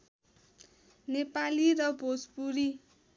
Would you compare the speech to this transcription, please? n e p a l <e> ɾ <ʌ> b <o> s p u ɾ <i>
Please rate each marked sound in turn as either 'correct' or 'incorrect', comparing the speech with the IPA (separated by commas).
incorrect, correct, correct, correct